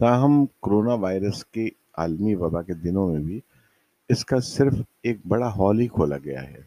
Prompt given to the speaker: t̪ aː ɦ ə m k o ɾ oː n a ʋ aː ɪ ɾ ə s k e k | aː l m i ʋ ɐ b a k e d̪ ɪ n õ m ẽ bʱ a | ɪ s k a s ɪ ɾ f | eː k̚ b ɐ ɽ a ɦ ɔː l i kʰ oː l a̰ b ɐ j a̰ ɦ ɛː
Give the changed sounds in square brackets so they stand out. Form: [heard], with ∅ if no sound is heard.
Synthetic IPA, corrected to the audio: t̪ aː ɦ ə m k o ɾ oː n a ʋ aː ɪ ɾ ə s k e [∅] | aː l m i ʋ ɐ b a k e d̪ ɪ n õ m ẽ bʱ [i] | ɪ s k a s ɪ ɾ f | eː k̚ b ɐ ɽ a ɦ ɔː l i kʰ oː l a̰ [ɡ] ɐ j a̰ ɦ ɛː